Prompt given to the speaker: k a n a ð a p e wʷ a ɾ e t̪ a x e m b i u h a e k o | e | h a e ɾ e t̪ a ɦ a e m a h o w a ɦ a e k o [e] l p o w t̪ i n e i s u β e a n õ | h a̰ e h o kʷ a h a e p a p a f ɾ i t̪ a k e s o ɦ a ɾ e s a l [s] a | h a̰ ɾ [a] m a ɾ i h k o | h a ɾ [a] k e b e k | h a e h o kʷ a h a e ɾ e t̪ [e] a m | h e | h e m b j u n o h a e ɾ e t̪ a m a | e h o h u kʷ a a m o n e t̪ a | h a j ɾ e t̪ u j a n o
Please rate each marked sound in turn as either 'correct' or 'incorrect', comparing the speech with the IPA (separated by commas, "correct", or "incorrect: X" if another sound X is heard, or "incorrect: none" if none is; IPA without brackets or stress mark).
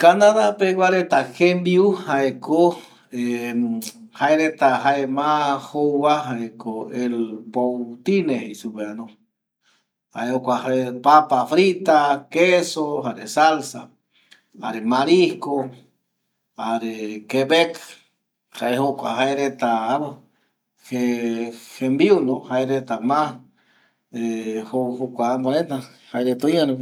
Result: correct, correct, incorrect: e, incorrect: e, incorrect: a